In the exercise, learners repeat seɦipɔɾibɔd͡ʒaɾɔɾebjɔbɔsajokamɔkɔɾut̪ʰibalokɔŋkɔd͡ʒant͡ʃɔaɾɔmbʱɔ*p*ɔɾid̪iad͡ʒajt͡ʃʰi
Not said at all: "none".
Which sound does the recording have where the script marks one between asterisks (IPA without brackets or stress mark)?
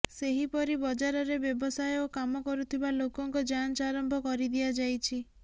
k